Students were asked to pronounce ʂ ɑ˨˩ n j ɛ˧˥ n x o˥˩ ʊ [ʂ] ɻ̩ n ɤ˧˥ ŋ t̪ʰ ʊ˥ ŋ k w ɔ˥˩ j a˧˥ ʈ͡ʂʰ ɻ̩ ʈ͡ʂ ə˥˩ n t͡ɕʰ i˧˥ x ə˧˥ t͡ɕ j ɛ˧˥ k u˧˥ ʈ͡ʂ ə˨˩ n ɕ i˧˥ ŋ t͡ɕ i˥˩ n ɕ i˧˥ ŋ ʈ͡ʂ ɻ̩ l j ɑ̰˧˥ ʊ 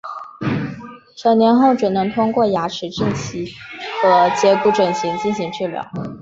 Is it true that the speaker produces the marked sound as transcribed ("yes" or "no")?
no